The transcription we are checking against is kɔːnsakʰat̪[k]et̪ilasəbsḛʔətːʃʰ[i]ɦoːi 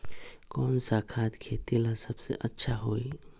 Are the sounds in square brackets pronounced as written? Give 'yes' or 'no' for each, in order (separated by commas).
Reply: no, no